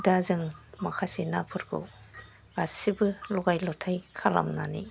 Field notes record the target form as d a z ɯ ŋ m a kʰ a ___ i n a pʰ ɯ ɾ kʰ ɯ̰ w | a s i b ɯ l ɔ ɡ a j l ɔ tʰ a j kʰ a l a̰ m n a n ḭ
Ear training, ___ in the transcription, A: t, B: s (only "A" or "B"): B